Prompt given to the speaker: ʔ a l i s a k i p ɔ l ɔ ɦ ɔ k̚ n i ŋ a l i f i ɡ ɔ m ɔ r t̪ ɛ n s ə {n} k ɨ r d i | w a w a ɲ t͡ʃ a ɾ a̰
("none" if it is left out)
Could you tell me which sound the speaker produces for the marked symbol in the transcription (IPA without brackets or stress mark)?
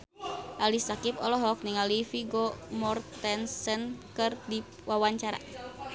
n